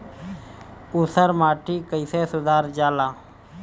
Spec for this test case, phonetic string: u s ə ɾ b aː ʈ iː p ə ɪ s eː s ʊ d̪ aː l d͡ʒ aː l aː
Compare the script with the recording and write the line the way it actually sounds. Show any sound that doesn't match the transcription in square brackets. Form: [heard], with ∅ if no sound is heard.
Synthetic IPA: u s ə ɾ [m] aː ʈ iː [k] ə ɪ s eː s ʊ d̪ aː [ɾ] d͡ʒ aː l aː